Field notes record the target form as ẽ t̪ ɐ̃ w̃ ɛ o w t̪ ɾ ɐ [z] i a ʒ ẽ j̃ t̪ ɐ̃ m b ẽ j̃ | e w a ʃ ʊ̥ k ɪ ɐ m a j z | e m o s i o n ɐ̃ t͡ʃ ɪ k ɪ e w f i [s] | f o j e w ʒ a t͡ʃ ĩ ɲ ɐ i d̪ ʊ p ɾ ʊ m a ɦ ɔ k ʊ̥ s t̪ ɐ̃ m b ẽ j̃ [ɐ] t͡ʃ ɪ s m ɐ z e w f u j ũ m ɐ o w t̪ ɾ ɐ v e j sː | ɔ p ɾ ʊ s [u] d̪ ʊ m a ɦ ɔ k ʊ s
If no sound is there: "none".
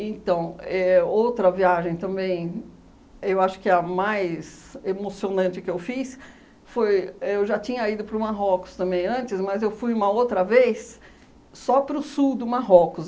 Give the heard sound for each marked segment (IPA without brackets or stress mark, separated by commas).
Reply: v, s, ɐ̃, u